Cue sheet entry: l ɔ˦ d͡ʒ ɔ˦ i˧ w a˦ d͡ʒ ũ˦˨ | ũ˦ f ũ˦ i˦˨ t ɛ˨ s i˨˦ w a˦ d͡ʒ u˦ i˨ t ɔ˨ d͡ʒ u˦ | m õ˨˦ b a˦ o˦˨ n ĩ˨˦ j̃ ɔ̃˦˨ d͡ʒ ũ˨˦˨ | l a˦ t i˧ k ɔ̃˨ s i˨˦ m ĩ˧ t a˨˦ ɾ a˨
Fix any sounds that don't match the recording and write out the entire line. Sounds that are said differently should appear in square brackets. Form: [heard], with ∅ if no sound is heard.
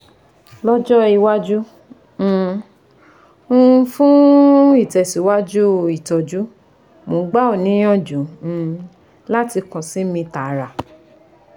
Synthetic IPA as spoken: l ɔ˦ d͡ʒ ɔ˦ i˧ w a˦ d͡ʒ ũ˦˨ | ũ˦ f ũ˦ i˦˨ t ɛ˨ s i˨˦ w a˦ d͡ʒ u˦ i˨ t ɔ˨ d͡ʒ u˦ | m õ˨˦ [ɡ͡b] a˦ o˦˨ n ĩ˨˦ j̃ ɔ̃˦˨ d͡ʒ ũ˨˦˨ | l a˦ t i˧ k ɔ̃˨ s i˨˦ m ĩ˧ t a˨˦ ɾ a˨